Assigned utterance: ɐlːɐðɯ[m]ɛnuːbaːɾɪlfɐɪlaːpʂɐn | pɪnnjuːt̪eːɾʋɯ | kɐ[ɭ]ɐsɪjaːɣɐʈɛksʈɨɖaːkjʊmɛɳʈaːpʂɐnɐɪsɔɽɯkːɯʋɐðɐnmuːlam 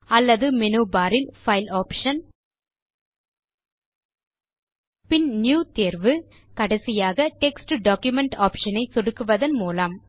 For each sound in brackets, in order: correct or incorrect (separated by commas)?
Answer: correct, incorrect